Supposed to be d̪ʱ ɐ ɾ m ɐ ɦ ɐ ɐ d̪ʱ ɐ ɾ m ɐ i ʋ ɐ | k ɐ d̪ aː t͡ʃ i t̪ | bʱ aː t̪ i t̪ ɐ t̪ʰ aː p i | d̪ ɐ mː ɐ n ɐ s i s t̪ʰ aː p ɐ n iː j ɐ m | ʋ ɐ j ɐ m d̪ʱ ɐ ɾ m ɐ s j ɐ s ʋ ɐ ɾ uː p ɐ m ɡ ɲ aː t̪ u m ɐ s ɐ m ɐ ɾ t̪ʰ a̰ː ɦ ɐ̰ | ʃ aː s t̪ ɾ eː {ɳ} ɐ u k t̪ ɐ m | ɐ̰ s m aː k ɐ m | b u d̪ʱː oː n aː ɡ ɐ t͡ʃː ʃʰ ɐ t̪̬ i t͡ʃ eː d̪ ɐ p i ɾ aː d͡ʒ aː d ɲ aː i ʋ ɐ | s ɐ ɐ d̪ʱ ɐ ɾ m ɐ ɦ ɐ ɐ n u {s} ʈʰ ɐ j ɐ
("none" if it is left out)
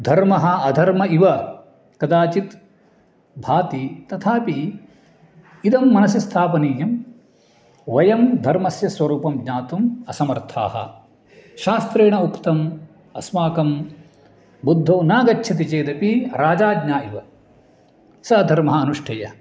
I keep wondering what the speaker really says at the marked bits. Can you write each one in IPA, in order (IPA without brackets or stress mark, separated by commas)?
ɳ, ʂ